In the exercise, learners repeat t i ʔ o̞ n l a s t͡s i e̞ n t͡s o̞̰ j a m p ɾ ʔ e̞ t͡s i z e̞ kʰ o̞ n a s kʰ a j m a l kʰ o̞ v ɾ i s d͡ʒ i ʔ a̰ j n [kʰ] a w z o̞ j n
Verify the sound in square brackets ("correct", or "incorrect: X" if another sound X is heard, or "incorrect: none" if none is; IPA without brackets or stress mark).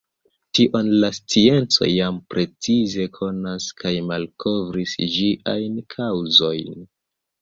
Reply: correct